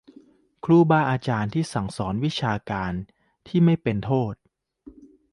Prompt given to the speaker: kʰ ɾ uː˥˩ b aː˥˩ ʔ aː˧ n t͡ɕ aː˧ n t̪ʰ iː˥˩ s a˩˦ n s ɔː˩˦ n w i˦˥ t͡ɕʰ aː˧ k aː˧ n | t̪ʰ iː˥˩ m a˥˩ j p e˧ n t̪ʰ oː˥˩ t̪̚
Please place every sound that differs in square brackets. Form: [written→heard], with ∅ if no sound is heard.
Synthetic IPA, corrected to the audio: kʰ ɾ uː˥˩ b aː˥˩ ʔ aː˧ [n→∅] t͡ɕ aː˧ n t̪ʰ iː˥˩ s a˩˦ [n→ŋ] s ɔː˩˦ n w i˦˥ t͡ɕʰ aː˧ k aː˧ n | t̪ʰ iː˥˩ m a˥˩ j p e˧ n t̪ʰ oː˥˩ t̪̚